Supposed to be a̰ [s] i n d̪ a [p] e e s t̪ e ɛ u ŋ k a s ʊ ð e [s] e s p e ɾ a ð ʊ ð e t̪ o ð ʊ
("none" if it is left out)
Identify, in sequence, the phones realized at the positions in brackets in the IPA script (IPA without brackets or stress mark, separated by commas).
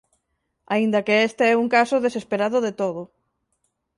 none, k, s